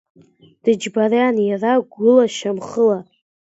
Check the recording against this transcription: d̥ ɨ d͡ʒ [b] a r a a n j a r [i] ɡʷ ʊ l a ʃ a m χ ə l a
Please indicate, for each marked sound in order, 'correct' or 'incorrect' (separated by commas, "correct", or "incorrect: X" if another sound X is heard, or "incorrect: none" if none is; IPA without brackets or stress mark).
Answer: correct, incorrect: a